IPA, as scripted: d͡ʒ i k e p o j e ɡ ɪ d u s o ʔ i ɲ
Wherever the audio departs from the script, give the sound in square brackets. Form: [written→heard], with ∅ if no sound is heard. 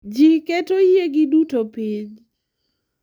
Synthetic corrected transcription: d͡ʒ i k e [p→t] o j e ɡ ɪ d u [s→t] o [ʔ→p] i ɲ